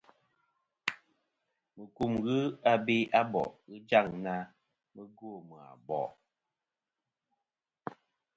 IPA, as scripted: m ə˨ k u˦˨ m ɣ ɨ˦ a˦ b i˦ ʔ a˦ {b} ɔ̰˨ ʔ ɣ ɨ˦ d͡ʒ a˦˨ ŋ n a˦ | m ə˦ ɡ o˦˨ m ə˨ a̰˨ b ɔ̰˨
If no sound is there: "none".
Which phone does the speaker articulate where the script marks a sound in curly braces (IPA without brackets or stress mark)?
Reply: b